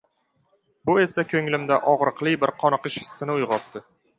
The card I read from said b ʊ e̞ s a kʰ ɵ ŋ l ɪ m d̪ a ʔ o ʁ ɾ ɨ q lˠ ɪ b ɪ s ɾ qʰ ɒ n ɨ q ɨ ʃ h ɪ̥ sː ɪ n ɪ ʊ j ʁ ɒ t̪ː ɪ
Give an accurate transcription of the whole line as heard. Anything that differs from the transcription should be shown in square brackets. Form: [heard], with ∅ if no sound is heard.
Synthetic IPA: b ʊ e̞ s a kʰ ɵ ŋ l ɪ m d̪ a ʔ [ɒ] ʁ ɾ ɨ q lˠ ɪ b ɪ [∅] ɾ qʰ ɒ n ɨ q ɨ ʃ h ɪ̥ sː ɪ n ɪ ʊ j ʁ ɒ t̪ː ɪ